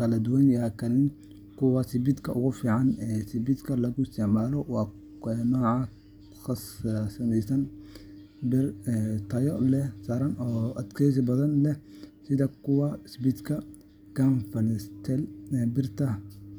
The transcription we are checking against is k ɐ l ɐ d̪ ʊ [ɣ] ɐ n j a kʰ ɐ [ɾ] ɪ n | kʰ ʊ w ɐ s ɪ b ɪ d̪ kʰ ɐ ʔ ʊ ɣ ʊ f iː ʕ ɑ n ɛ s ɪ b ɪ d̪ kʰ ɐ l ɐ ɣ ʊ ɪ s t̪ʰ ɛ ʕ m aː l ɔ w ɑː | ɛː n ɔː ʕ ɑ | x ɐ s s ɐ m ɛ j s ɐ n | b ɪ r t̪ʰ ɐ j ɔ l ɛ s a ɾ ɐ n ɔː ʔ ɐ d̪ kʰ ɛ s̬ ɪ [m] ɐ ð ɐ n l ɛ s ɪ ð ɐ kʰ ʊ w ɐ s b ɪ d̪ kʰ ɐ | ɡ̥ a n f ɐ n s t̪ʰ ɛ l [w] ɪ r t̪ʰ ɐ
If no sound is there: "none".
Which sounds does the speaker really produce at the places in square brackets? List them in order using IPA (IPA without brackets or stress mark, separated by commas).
w, l, b, b